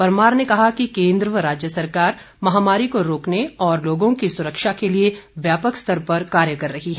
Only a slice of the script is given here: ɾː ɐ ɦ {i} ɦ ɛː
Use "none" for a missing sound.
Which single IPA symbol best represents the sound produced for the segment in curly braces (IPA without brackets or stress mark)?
i